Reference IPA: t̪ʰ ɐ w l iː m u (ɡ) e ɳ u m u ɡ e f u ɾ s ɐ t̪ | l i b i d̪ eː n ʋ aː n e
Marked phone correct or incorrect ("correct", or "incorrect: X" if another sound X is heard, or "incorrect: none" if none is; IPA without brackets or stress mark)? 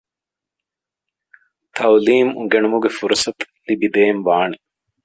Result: correct